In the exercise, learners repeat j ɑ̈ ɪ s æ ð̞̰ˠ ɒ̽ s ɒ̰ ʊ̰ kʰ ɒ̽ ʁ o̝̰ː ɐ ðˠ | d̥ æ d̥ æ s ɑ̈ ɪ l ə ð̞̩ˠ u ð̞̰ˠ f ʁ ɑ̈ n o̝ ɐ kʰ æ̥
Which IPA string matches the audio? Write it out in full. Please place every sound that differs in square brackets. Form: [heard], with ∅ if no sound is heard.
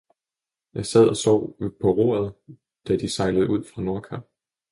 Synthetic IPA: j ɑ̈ ɪ s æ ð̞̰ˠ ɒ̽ s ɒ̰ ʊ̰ [pʰ] ɒ̽ ʁ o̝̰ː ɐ ðˠ | d̥ æ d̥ [i] s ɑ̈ ɪ l ə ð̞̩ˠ u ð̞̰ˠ f ʁ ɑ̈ n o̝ ɐ kʰ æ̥